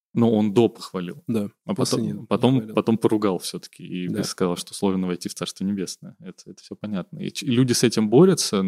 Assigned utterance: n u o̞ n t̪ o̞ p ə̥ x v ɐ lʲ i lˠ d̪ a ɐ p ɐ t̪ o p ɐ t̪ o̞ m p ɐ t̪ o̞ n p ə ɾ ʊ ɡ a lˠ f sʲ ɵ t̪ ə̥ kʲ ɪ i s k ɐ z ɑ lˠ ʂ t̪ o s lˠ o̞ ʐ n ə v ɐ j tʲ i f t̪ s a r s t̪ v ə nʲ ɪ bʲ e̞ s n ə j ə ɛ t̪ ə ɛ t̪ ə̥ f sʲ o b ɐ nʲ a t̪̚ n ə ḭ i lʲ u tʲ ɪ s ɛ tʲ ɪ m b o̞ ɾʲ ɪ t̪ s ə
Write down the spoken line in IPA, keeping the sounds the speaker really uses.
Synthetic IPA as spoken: n u o̞ n d̪ o̞ p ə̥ x v ɐ lʲ i lˠ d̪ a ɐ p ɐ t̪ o p ɐ t̪ o̞ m p ɐ t̪ o̞ m p ə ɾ ʊ ɡ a lˠ f sʲ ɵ t̪ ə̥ kʲ ɪ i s k ɐ z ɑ lˠ ʂ t̪ o s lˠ o̞ ʐ n ə v ɐ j tʲ i f t̪ s a r s t̪ v ə nʲ ɪ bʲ e̞ s n ə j ə ɛ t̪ ə ɛ t̪ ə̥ f sʲ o p ɐ nʲ a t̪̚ n ə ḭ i lʲ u dʲ ɪ s ɛ tʲ ɪ m b o̞ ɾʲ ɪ t̪ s ə